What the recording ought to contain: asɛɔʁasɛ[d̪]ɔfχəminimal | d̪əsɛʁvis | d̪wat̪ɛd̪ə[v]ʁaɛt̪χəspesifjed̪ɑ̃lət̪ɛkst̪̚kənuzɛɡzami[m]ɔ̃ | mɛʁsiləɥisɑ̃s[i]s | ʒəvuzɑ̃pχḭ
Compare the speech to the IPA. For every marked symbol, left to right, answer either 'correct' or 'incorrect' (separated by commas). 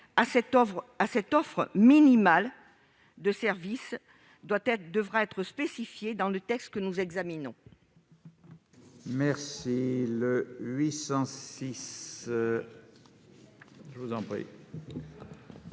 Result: incorrect, correct, incorrect, correct